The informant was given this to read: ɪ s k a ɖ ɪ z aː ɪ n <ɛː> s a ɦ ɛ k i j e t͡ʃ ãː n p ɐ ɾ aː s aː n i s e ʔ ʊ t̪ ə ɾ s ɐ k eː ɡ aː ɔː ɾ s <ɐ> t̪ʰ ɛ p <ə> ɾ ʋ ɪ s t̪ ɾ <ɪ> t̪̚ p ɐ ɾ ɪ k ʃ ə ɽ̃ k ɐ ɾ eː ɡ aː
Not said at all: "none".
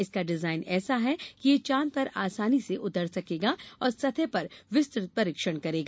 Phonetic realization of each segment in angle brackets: ɛː, ɐ, ɐ, ɪ

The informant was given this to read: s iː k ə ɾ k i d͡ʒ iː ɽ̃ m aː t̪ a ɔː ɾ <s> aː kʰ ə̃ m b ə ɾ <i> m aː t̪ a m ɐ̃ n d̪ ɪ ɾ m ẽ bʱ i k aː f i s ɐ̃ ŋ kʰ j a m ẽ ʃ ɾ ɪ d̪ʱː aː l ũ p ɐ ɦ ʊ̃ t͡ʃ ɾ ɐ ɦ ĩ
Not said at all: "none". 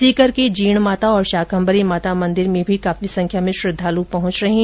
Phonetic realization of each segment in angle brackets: ʃ, i

